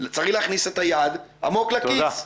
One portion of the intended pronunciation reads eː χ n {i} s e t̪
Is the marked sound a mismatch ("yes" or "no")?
no